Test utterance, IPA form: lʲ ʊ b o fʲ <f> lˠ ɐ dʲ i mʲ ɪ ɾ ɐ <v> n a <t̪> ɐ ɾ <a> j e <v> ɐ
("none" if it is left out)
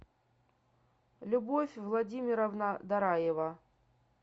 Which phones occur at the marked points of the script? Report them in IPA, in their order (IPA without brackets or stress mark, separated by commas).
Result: v, v, d̪, a, v